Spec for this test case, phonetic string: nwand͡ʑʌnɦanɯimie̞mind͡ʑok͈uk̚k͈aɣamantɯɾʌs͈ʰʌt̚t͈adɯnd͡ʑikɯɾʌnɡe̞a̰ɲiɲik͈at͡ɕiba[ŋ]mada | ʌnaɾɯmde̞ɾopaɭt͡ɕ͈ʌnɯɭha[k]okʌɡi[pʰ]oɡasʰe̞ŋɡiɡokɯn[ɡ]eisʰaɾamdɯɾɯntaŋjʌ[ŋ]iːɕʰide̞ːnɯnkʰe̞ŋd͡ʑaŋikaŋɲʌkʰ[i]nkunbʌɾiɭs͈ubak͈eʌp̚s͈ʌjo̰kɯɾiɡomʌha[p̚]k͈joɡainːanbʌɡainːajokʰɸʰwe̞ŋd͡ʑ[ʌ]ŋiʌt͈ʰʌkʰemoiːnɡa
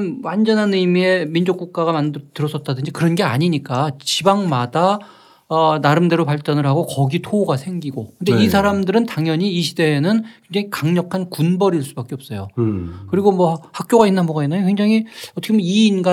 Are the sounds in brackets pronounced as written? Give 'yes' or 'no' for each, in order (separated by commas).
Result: yes, no, no, no, no, no, no, no